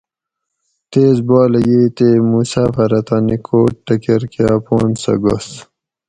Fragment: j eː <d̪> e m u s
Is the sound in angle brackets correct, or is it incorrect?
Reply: incorrect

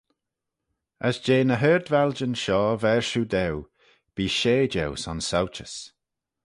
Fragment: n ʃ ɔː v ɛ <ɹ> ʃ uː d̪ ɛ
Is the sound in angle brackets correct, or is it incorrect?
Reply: correct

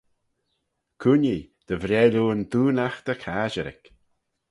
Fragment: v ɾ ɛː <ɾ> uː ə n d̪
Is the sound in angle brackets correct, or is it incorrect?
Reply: incorrect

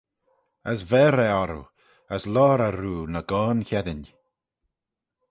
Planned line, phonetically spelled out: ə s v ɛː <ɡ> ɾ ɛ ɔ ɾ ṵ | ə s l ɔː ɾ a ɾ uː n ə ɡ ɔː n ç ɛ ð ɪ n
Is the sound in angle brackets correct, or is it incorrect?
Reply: incorrect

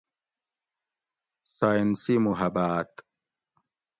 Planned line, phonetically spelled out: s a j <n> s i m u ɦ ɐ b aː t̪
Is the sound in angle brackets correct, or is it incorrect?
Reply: correct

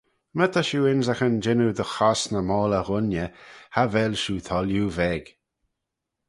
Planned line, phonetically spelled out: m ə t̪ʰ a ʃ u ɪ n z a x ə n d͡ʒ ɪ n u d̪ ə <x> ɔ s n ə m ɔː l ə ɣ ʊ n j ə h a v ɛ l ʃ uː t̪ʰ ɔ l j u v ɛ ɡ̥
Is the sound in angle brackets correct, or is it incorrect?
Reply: correct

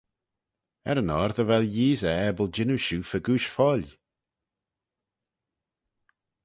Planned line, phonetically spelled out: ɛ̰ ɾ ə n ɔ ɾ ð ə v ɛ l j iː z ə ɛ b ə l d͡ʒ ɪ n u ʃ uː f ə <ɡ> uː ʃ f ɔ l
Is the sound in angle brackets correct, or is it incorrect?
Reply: correct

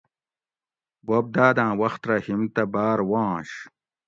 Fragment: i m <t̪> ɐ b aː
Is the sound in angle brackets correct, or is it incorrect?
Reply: correct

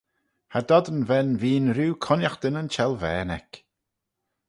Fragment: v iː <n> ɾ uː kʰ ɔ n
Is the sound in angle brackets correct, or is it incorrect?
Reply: correct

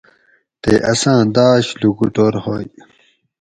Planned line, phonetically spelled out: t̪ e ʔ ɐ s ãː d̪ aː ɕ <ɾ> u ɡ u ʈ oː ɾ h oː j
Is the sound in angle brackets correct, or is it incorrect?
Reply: incorrect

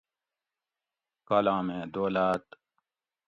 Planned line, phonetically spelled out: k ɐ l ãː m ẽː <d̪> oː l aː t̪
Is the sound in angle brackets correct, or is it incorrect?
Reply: correct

